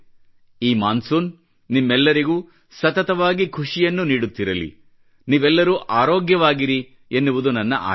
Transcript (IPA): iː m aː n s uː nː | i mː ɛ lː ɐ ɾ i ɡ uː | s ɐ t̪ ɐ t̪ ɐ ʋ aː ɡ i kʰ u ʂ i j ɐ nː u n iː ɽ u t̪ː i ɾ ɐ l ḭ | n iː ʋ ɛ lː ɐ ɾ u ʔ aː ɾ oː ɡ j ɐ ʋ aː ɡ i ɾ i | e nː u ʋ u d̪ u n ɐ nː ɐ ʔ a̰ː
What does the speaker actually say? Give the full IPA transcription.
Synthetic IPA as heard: iː m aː n s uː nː | i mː ɛ lː ɐ ɾ i ɡ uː | s ɐ t̪ ɐ t̪ ɐ ʋ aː ɡ i kʰ u ʂ i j ɐ nː u n iː ɽ u t̪ː i ɾ ɐ l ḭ | n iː ʋ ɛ lː ɐ ɾ u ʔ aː ɾ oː ɡ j ɐ ʋ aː ɡ i ɾ i | e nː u ʋ u d̪ u n ɐ nː ɐ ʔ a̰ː